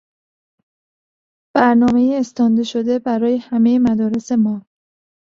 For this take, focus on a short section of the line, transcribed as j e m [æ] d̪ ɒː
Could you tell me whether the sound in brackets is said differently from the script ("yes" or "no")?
no